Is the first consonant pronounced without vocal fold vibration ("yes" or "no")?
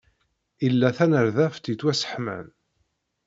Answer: no